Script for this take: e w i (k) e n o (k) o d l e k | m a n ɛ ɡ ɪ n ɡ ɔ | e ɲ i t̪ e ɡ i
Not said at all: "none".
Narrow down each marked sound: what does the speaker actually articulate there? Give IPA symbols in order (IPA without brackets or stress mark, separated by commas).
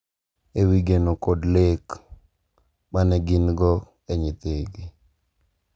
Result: ɡ, k